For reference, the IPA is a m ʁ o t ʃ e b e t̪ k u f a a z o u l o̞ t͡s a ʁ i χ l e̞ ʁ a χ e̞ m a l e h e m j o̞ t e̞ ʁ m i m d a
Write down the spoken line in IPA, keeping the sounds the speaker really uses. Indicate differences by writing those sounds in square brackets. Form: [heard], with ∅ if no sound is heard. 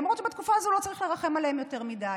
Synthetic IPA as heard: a m ʁ o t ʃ e b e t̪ k u f a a z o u l o̞ t͡s a ʁ i χ l e̞ ʁ a χ e̞ m a l e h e m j o̞ t e̞ ʁ m i [∅] d a